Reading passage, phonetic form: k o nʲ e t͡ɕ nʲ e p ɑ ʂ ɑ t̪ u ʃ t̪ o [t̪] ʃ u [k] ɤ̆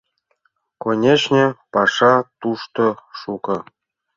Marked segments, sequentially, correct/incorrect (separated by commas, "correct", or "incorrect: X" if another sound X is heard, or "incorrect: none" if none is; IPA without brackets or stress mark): incorrect: none, correct